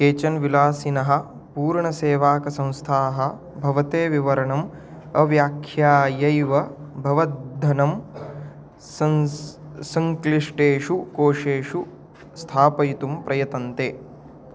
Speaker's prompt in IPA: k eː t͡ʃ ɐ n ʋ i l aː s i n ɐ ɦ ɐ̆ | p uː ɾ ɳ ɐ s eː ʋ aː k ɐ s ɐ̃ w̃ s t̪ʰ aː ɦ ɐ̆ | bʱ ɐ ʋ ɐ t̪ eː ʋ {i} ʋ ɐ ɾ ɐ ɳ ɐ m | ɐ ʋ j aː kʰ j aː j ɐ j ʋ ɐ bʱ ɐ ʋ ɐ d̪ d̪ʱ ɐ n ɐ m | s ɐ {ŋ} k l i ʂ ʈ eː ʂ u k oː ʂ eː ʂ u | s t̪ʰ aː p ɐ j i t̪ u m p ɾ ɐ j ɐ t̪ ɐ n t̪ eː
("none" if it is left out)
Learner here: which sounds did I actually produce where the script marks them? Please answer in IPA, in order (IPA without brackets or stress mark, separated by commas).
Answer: i, ŋ